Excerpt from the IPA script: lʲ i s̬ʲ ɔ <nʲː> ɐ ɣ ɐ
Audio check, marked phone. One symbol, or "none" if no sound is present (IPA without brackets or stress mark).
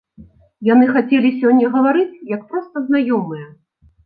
nʲː